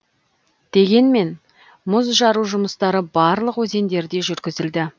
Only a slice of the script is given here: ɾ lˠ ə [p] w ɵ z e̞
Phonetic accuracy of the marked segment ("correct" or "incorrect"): incorrect